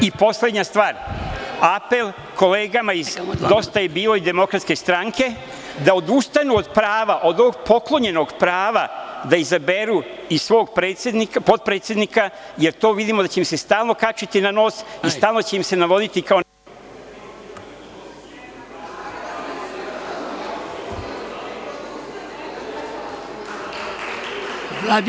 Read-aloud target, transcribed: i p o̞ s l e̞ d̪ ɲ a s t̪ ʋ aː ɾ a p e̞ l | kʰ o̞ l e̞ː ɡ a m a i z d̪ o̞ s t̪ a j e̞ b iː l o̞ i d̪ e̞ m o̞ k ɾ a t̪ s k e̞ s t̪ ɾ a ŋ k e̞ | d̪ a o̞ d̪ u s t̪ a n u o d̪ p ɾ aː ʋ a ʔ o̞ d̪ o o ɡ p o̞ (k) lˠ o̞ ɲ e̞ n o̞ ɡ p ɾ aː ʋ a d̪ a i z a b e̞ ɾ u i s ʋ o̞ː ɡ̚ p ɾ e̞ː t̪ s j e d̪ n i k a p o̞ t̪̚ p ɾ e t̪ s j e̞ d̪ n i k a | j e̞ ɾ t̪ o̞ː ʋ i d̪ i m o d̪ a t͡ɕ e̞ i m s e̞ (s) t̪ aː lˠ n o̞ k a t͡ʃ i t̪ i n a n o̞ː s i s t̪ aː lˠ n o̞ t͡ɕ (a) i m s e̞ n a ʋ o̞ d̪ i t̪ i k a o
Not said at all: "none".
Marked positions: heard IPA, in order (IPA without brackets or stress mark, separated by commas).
k, s, e